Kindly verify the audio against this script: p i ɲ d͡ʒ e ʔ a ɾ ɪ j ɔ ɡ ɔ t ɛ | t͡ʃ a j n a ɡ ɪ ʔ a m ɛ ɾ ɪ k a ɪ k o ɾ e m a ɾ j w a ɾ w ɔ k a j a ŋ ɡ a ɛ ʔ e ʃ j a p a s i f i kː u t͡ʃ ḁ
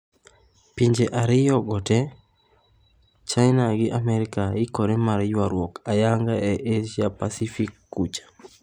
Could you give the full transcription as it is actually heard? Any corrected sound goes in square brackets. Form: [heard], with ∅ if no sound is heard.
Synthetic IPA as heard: p i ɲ d͡ʒ e ʔ a ɾ ɪ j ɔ ɡ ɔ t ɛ | t͡ʃ a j n a ɡ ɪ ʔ a m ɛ ɾ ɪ k a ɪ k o ɾ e m a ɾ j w a ɾ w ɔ k a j a ŋ ɡ a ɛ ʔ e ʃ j a p a s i f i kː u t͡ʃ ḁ

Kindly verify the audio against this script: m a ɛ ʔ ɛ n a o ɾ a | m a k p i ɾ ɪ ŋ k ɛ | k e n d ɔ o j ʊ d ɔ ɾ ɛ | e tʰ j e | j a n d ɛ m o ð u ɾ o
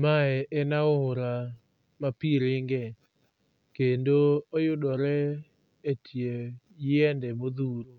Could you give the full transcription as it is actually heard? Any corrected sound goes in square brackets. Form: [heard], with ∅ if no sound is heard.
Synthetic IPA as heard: m a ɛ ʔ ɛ n a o ɾ a | m a [∅] p i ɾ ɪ ŋ [ɡ] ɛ | k e n d [o] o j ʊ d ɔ ɾ ɛ | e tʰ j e | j [ɛ] n d ɛ m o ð u ɾ o

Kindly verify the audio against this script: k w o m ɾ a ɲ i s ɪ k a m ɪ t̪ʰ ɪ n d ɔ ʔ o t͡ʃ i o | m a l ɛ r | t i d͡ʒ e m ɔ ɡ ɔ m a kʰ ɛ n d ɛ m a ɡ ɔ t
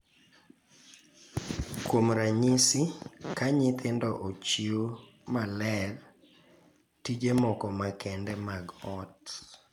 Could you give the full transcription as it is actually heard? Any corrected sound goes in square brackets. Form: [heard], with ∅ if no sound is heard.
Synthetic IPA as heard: k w o m ɾ a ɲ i s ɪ k a [ɲ] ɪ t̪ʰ ɪ n d ɔ ʔ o t͡ʃ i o | m a l ɛ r | t i d͡ʒ e m ɔ [k] ɔ m a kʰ ɛ n d ɛ m a ɡ ɔ t

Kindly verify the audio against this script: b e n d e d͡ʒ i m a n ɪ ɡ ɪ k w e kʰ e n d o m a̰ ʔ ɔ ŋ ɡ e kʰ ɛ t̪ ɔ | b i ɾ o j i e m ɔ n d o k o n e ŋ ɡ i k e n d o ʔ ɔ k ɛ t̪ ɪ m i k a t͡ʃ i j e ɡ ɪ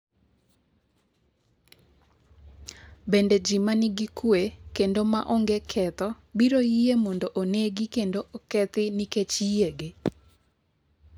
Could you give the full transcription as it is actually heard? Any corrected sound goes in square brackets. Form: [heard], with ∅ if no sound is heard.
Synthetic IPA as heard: b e n d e d͡ʒ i m a n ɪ ɡ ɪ k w e [k] e n d o m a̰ ʔ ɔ ŋ ɡ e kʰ ɛ t̪ ɔ | b i ɾ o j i e m ɔ n d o [ʔ] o n e [∅] ɡ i k e n d o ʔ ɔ k ɛ t̪ ɪ [n] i k [e] t͡ʃ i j e ɡ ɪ

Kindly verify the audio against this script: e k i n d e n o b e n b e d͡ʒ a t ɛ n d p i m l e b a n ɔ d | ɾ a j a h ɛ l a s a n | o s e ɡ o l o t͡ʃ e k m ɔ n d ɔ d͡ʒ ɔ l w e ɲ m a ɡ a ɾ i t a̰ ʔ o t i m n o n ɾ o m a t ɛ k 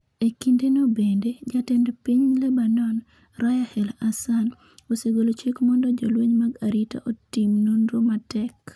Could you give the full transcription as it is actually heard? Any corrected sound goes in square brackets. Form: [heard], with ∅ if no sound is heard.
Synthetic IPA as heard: e k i n d e n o b e n [d] e d͡ʒ a t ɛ n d p i [ɲ] l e b a n ɔ [n] | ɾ a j a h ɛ l a s a n | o s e ɡ o l o t͡ʃ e k m ɔ n d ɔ d͡ʒ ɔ l w e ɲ m a ɡ a ɾ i t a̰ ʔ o t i m n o n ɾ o m a t ɛ k

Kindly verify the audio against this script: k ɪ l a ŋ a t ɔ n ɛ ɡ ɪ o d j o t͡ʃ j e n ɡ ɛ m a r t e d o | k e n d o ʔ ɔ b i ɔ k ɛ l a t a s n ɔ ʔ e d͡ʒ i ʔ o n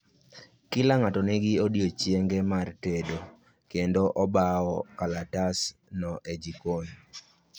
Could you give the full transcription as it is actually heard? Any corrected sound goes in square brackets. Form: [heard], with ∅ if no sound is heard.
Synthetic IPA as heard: k ɪ l a ŋ a t ɔ n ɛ ɡ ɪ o d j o t͡ʃ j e [ŋ] ɡ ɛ m a r t e d o | k e n d o ʔ ɔ b [a] ɔ k [a] l a t a s n ɔ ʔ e d͡ʒ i [k] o n

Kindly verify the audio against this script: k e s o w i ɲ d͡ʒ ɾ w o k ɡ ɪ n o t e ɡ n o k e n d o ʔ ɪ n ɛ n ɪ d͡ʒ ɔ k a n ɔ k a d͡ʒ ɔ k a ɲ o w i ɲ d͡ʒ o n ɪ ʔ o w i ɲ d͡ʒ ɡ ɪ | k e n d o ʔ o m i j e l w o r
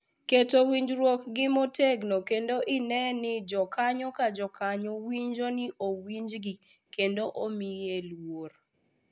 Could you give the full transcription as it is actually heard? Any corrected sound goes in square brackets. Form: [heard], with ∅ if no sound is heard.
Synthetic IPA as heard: k e [t] o w i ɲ d͡ʒ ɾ w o k ɡ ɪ [m] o t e ɡ n o k e n d o ʔ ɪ n ɛ n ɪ d͡ʒ ɔ k a [ɲ] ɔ k a d͡ʒ ɔ k a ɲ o w i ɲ d͡ʒ o n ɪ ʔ o w i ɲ d͡ʒ ɡ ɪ | k e n d o ʔ o m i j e l w o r

